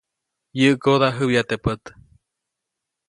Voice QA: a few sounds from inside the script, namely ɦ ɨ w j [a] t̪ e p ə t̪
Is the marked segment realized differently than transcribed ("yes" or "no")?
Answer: no